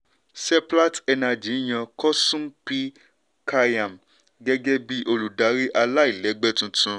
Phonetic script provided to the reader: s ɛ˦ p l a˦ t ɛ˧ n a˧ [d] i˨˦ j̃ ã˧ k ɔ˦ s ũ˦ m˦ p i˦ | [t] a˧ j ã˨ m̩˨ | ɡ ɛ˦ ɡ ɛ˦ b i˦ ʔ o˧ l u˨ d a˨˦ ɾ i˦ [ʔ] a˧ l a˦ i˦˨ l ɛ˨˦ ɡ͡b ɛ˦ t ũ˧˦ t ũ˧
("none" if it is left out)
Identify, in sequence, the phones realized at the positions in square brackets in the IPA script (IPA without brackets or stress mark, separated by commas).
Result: d͡ʒ, k, ʔ